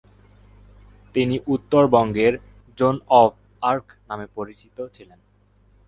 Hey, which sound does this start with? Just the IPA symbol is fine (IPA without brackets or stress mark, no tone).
t̪